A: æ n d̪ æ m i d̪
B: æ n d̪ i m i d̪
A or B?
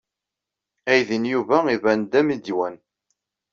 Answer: A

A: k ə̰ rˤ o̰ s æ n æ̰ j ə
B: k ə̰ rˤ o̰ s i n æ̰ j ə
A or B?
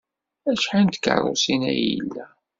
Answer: B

